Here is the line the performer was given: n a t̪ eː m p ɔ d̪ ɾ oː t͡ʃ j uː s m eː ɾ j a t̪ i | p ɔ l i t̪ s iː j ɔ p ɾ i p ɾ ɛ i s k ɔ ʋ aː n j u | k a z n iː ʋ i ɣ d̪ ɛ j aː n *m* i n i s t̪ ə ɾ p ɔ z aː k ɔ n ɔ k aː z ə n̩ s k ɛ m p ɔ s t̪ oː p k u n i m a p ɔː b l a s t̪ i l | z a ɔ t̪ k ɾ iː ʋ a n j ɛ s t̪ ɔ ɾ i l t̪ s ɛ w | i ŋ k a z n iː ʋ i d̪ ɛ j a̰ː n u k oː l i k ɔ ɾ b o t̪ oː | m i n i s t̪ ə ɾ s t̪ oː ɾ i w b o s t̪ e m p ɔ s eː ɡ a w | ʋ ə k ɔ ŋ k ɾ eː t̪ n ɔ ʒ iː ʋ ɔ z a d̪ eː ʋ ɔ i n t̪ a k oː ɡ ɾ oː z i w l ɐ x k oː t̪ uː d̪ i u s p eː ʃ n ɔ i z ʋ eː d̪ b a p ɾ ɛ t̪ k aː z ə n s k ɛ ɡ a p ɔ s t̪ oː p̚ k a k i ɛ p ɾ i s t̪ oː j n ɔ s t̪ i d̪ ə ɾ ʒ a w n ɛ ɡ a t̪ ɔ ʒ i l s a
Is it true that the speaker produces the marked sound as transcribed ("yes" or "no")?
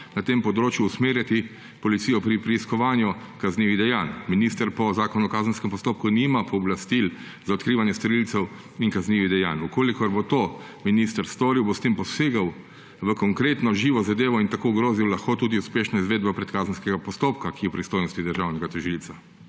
yes